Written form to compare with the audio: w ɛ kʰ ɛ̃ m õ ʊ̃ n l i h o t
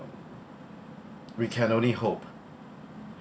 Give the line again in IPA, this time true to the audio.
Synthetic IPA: w i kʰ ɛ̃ n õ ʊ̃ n l i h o p

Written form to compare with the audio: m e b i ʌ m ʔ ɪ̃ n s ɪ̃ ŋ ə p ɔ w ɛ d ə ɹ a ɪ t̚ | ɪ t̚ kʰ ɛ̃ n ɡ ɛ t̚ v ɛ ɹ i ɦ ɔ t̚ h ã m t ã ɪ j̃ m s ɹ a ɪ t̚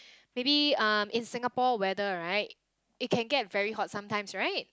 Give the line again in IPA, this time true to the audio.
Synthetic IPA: m e b i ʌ m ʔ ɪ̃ n s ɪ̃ ŋ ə p ɔ w ɛ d ə ɹ a ɪ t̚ | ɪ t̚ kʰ ɛ̃ n ɡ ɛ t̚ v ɛ ɹ i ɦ ɔ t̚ s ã m t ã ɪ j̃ m s ɹ a ɪ t̚

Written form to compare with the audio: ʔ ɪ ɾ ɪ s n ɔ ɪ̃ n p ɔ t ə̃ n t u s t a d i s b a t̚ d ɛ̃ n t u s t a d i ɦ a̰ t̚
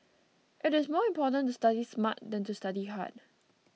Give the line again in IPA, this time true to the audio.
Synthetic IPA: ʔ ɪ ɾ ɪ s m ɔ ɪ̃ m p ɔ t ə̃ n t u s t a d i s m a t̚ d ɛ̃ n t u s t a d i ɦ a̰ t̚

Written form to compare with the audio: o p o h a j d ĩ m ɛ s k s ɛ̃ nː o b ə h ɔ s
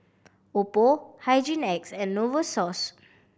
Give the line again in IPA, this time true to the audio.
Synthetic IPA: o p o h a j d͡ʒ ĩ n ɛ k s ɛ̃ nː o v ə s ɔ s

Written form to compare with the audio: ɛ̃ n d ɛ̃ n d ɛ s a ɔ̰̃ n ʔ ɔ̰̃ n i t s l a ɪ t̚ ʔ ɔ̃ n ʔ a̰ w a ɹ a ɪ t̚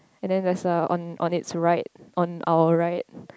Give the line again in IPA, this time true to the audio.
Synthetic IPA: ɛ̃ n d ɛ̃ n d ɛ s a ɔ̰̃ n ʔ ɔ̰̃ n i t s ɹ a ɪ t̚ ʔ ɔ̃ n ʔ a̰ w ə ɹ a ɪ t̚

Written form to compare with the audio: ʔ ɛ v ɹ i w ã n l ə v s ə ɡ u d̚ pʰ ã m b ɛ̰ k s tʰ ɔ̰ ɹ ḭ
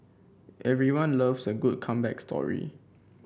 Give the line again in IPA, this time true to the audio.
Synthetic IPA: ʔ ɛ v ɹ i w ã n l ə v s ə ɡ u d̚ kʰ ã m b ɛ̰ k s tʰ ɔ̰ ɹ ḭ

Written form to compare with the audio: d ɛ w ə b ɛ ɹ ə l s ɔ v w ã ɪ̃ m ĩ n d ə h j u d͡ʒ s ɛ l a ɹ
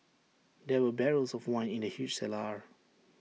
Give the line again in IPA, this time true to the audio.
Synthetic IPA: d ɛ w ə b ɛ ɹ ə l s ɔ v w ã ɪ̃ n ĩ n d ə h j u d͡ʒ s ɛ l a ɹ

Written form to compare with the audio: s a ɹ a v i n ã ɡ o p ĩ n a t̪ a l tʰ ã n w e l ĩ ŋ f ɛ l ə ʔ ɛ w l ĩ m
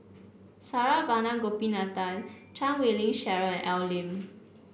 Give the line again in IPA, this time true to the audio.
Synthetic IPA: s a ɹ a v a n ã ɡ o p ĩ n a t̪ a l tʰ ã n w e l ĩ ŋ ʃ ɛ ɹ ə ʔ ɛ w l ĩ m

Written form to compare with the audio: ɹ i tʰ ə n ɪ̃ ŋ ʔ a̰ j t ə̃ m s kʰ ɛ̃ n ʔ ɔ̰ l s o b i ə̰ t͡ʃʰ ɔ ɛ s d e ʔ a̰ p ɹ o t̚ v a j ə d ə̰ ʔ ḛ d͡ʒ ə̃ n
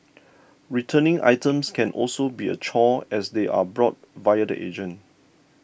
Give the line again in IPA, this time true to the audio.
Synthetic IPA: ɹ i tʰ ə n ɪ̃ ŋ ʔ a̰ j t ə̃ m s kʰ ɛ̃ n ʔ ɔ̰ l s o b i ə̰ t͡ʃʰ ɔ ɛ s d e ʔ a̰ b ɹ ɔ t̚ v a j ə d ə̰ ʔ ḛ d͡ʒ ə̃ n

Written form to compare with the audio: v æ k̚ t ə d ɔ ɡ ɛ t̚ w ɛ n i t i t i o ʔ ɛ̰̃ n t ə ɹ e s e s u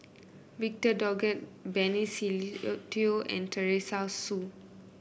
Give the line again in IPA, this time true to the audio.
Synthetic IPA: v i k̚ t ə d ɔ ɡ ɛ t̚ b ɛ n i s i t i o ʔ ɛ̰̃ n t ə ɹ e s a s u

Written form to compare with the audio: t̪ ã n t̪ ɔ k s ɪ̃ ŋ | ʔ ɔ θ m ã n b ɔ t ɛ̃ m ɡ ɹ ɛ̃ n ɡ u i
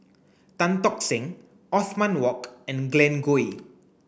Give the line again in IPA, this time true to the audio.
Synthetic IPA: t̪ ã n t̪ ɔ k s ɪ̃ ŋ | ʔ ɔ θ m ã n w ɔ k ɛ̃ n ɡ l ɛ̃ n ɡ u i

